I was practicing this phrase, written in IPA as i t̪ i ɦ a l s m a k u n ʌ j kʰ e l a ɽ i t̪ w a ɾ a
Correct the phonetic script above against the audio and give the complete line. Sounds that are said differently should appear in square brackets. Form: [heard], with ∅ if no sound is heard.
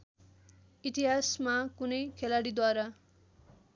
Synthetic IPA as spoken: i t̪ i ɦ a [∅] s m a k u n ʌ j kʰ e l a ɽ i [d̪] w a ɾ a